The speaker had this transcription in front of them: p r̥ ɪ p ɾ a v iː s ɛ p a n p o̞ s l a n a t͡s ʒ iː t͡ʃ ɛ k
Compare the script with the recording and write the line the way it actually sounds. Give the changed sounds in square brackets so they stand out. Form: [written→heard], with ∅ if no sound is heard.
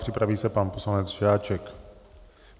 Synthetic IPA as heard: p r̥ ɪ p ɾ a v iː s ɛ p a n p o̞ s l a n [a→ɛ] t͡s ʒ [iː→aː] t͡ʃ ɛ k